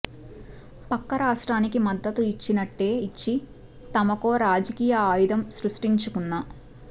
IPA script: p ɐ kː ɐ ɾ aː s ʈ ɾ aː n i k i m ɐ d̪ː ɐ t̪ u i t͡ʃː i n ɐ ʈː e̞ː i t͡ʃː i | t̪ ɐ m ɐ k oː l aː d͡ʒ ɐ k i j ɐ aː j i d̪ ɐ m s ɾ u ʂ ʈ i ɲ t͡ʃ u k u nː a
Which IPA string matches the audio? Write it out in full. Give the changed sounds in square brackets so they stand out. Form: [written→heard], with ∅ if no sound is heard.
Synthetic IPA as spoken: p ɐ kː ɐ ɾ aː [s→ʂ] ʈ ɾ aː n i k i m ɐ d̪ː ɐ t̪ u i t͡ʃː i n ɐ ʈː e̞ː i t͡ʃː i | t̪ ɐ m ɐ k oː [l→ɾ] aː d͡ʒ ɐ k [i→iː] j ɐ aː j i d̪ ɐ m s ɾ u ʂ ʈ i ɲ t͡ʃ u k u nː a